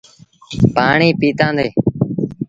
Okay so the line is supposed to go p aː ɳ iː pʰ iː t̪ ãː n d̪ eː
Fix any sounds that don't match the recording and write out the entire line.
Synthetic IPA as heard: p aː ɳ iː p iː t̪ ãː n d̪ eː